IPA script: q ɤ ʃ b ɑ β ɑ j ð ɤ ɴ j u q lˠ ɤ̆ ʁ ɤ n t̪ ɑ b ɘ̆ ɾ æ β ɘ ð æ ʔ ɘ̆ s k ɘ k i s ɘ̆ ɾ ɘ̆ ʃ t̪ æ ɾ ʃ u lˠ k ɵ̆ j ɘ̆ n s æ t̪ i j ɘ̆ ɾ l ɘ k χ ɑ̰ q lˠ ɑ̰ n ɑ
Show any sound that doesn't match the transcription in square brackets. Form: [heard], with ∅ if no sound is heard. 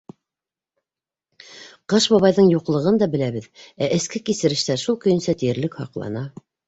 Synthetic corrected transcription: q ɤ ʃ b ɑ β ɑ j ð ɤ ɴ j u q lˠ ɤ̆ ʁ ɤ n [d̪] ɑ b ɘ̆ [l] æ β ɘ ð æ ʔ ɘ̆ s k ɘ k i s ɘ̆ ɾ ɘ̆ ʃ t̪ æ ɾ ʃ u lˠ k ɵ̆ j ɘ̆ n s æ t̪ i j ɘ̆ ɾ l ɘ k [h] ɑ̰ q lˠ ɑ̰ n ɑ